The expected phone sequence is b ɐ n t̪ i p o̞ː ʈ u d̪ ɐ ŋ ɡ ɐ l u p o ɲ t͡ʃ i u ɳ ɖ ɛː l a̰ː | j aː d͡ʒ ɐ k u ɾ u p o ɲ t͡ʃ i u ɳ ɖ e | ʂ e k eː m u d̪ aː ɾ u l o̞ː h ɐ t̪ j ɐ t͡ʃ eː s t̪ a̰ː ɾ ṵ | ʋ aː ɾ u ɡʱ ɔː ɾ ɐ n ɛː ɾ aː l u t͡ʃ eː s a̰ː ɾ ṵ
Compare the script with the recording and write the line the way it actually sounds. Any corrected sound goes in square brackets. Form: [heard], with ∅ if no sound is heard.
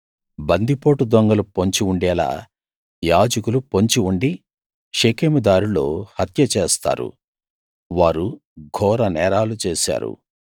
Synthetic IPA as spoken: b ɐ n [d̪] i p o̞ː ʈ u d̪ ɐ ŋ ɡ ɐ l u p o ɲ t͡ʃ i u ɳ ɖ ɛː l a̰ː | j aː d͡ʒ ɐ k u [l] u p o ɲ t͡ʃ i u ɳ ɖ [i] | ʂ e k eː m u d̪ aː ɾ u l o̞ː h ɐ t̪ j ɐ t͡ʃ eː s t̪ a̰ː ɾ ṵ | ʋ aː ɾ u ɡʱ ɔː ɾ ɐ n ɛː ɾ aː l u t͡ʃ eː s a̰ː ɾ ṵ